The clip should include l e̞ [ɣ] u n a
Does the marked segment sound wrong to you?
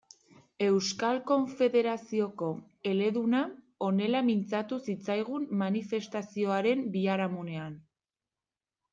yes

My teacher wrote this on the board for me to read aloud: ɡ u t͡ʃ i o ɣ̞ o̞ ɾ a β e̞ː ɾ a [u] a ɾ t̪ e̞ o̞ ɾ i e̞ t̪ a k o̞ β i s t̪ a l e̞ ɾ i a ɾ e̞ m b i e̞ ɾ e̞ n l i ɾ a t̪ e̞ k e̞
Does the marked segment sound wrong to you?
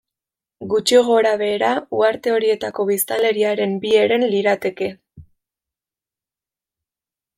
no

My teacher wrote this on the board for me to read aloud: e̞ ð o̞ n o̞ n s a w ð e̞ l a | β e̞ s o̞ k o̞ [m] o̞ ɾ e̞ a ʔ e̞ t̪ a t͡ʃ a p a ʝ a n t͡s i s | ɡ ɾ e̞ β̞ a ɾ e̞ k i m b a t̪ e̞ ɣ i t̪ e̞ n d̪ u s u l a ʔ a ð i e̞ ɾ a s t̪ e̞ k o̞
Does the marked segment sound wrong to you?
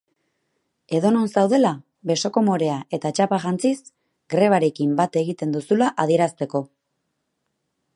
no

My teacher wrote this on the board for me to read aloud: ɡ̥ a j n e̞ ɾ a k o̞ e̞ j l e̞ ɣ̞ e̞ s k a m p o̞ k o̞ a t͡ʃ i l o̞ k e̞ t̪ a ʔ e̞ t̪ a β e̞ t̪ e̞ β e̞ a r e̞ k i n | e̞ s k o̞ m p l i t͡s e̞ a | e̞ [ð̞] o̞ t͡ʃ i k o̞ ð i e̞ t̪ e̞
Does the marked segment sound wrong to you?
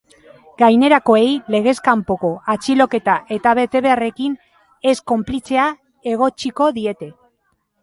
yes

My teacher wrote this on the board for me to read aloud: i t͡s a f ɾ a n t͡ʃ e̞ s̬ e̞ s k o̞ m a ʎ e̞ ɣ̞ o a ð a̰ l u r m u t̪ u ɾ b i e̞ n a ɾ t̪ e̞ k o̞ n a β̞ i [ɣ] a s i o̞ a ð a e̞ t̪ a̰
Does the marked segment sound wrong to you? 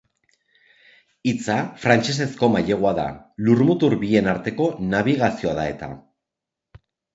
no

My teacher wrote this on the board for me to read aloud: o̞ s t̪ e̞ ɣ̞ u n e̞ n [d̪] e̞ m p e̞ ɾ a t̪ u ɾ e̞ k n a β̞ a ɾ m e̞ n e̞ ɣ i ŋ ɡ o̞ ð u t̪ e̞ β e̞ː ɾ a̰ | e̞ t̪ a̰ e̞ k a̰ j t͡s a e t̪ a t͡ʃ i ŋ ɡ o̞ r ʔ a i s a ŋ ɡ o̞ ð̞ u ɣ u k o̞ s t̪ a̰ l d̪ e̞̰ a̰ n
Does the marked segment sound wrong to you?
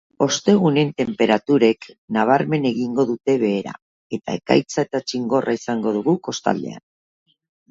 yes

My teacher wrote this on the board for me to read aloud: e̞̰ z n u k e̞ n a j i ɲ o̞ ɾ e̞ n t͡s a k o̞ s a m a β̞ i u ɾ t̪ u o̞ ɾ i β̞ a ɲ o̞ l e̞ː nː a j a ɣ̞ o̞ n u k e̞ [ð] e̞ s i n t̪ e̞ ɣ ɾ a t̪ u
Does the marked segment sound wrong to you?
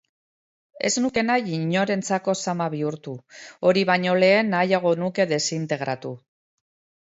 no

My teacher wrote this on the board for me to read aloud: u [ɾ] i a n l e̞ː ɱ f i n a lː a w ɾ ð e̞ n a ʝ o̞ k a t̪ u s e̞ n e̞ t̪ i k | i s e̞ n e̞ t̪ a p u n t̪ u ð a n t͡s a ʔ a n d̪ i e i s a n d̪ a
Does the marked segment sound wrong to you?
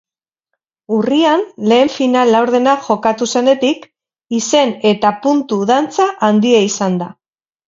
yes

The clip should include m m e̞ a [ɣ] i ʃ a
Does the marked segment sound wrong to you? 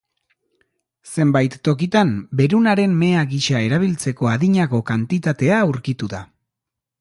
no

